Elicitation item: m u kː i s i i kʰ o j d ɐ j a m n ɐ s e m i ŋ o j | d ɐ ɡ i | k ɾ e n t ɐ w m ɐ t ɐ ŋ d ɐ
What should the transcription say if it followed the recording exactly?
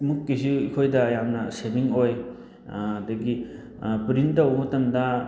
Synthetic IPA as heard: m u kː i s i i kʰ o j d ɐ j a m n ɐ s e m i ŋ o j | d ɐ ɡ i | p ɾ i n t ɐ w m ɐ t ɐ m d ɐ

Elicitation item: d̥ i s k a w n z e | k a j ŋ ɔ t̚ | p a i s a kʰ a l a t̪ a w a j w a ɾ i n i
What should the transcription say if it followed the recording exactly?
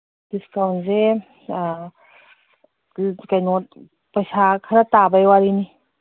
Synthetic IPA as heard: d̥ i s k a w n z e | k a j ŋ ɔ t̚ | p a j s a kʰ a ɾ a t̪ a b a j w a ɾ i n i

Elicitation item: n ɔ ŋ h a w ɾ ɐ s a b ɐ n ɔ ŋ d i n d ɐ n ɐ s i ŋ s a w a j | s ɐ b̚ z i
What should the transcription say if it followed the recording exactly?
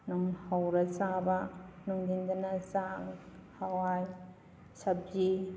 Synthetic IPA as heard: n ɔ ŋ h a w ɾ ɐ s a b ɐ n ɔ ŋ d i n d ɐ n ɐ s a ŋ h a w a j | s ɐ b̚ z i

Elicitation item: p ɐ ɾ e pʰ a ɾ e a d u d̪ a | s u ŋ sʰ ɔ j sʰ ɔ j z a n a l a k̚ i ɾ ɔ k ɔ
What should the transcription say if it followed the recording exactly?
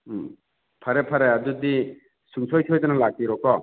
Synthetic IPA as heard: pʰ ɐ ɾ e pʰ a ɾ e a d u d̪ i | s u ŋ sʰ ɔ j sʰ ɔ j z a n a l a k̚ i ɾ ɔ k ɔ

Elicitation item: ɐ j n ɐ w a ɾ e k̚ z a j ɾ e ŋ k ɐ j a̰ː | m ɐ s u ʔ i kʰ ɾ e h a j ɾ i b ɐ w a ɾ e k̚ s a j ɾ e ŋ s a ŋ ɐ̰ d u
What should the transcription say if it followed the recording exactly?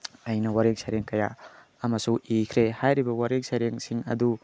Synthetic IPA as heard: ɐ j n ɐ w a ɾ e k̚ s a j ɾ e ŋ k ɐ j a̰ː | m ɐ s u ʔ i kʰ ɾ e h a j ɾ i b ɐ w a ɾ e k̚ s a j ɾ e ŋ s i ŋ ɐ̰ d u

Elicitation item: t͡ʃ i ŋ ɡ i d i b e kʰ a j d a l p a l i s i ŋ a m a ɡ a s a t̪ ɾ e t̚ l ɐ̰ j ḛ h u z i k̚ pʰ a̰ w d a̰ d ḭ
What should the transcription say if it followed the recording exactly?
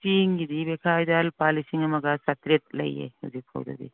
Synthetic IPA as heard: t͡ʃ i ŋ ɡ i d i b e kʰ a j d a l p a l i s i ŋ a m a ɡ a s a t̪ ɾ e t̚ l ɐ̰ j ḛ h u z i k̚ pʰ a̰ w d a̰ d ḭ

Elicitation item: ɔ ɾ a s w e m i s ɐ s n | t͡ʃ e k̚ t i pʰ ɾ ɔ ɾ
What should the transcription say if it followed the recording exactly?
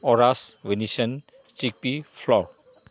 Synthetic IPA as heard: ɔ ɾ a s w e n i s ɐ n | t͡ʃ i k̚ p i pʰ l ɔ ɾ

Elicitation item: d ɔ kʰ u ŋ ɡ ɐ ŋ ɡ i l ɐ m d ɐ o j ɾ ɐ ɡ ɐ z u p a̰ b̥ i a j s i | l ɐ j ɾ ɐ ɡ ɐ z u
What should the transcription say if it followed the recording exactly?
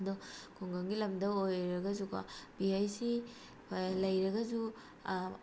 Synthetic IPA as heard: d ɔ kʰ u ŋ ɡ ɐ ŋ ɡ i l ɐ m d ɐ o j ɾ ɐ ɡ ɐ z u k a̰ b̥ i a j s i | l ɐ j ɾ ɐ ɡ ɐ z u

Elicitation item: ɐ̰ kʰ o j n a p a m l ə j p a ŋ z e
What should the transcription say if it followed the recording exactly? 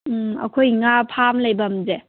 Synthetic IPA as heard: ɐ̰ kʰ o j ŋ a pʰ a m l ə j b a m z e

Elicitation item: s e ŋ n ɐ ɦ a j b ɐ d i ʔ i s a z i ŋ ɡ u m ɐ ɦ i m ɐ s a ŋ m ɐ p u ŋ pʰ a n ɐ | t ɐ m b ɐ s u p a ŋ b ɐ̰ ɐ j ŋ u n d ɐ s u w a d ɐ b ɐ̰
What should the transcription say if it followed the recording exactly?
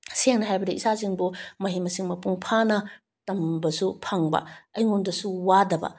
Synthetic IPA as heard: s e ŋ n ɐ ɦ a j b ɐ d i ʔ i s a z i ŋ b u m ɐ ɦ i m ɐ s i ŋ m ɐ p u ŋ pʰ a n ɐ | t ɐ m b ɐ s u pʰ a ŋ b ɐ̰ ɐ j ŋ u n d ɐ s u w a d ɐ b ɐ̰

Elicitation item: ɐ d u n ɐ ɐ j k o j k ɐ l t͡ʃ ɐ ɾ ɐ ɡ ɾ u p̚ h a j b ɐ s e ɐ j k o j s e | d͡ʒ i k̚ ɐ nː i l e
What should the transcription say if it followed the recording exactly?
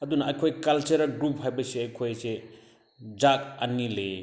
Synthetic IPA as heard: ɐ d u n ɐ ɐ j kʰ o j k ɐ l t͡ʃ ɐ ɾ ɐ ɡ ɾ u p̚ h a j b ɐ s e ɐ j kʰ o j s e | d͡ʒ a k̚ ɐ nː i l e

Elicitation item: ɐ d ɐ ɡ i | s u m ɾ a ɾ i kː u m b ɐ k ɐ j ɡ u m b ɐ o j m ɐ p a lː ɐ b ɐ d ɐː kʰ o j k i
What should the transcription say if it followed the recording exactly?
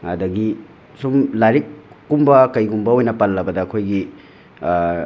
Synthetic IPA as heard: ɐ d ɐ ɡ i | s u m l a ɾ i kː u m b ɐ k ɐ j ɡ u m b ɐ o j n ɐ p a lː ɐ b ɐ d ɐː kʰ o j ɡ i

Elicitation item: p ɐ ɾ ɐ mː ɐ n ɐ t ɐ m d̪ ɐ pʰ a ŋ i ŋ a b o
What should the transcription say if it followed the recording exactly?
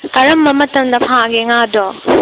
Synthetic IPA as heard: k ɐ ɾ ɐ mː ɐ m ɐ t ɐ m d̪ ɐ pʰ a ɡ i ŋ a d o

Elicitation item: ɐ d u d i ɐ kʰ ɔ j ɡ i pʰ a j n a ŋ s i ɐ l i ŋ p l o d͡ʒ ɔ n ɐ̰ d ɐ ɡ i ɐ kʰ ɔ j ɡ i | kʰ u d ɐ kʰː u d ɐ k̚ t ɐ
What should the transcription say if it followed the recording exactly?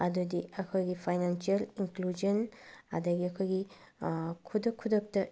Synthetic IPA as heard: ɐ d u d i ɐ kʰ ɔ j ɡ i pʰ a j n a n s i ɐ l i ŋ k l u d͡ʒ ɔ n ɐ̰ d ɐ ɡ i ɐ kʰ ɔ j ɡ i | kʰ u d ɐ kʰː u d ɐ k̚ t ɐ

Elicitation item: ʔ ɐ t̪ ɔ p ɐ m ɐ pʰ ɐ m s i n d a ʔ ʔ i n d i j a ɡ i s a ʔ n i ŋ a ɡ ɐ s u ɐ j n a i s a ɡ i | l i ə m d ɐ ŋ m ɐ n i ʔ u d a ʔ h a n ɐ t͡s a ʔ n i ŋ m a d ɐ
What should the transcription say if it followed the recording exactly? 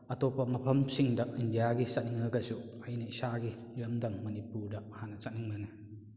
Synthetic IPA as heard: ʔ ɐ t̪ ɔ p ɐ m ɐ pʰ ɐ m s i ŋ d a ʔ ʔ i n d i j a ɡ i s a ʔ n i ŋ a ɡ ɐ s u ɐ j n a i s a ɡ i | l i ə m d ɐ ŋ m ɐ n i p u d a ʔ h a n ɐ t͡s a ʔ n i ŋ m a n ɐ

